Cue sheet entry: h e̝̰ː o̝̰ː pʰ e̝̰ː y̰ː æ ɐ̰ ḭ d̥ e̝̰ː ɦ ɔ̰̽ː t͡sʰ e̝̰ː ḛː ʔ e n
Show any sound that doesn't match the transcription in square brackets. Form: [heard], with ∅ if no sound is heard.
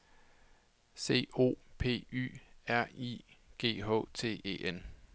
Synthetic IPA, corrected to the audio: [s] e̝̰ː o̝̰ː pʰ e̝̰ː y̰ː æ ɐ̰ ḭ [ɡ̥] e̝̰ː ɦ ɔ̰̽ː t͡sʰ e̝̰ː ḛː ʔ e n